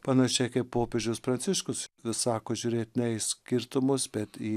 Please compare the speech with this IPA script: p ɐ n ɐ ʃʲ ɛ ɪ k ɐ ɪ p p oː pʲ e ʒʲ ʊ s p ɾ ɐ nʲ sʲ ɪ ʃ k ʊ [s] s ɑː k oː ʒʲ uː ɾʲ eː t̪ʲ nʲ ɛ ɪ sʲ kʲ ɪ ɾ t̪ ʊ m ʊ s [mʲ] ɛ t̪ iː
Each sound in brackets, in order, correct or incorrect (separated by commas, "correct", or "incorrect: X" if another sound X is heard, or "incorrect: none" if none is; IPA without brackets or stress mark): correct, incorrect: bʲ